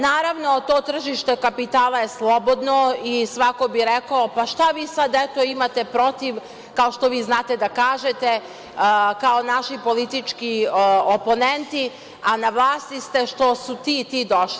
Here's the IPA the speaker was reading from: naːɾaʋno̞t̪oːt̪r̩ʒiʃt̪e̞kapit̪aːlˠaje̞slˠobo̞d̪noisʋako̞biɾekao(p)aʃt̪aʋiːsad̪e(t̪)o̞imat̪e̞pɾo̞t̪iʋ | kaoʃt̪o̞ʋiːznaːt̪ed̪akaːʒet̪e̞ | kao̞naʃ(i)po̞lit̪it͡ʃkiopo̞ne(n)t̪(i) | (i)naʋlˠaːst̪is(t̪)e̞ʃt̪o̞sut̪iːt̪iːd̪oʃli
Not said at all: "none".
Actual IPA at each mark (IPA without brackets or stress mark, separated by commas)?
p, t̪, i, n, i, a, t̪